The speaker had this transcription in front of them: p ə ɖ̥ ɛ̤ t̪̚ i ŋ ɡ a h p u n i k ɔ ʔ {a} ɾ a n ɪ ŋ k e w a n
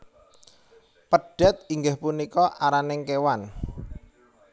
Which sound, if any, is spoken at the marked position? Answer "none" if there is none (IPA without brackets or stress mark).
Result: a